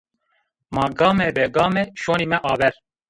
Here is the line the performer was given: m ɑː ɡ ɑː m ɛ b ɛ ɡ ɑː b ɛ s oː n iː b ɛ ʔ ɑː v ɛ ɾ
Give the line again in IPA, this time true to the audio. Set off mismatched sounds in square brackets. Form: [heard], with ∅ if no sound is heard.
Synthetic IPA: m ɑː ɡ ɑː m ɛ b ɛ ɡ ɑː [m] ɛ [ʃ] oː n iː [m] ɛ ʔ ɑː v ɛ ɾ